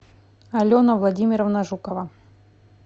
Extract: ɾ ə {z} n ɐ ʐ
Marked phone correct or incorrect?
incorrect